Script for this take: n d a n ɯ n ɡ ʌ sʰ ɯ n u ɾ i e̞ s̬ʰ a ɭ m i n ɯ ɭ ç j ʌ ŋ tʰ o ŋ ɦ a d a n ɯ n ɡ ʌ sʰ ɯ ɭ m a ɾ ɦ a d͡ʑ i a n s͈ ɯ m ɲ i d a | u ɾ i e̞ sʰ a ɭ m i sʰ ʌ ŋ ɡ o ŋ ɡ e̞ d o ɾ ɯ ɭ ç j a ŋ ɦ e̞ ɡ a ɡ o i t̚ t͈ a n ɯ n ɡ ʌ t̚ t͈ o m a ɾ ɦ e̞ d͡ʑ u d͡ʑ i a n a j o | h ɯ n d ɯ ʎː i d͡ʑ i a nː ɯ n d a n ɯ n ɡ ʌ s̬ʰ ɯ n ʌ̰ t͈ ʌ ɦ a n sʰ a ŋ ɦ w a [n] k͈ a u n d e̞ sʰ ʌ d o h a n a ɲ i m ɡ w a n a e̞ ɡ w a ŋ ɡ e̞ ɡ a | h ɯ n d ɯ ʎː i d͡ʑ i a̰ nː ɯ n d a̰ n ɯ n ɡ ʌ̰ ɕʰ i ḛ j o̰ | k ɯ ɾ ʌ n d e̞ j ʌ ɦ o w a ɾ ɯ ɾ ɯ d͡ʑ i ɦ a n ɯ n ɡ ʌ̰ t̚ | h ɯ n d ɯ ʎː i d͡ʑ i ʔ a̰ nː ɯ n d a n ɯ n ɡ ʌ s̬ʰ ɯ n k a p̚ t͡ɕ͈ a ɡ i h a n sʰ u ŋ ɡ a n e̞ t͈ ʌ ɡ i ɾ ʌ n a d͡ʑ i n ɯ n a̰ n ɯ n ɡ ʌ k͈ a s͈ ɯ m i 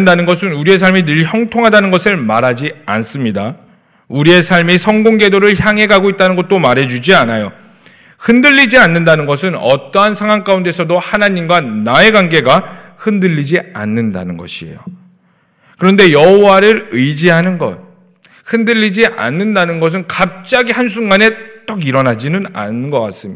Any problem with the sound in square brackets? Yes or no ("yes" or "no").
yes